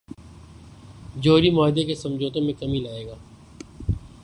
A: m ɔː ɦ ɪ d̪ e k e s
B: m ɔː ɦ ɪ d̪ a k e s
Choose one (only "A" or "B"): A